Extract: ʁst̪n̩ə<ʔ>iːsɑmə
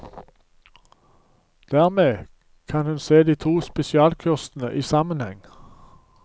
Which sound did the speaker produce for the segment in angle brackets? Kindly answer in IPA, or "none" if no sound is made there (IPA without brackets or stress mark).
ʔ